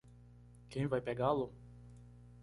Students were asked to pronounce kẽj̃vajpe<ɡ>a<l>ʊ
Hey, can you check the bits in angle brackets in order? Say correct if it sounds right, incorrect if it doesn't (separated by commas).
correct, correct